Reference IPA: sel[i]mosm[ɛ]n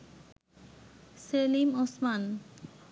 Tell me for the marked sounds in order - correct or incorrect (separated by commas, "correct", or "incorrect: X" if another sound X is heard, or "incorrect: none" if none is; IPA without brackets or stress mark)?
correct, incorrect: a